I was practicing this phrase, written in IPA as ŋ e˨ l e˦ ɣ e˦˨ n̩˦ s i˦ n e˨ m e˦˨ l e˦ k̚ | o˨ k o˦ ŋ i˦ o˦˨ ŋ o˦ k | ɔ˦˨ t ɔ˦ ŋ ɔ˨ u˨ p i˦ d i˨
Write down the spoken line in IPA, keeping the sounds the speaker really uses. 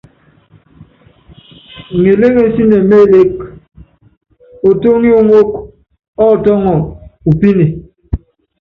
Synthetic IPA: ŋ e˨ l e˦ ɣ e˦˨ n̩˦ s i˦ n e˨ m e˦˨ l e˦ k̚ | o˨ t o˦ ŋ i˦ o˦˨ ŋ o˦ k | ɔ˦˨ t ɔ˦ ŋ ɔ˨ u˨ p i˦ n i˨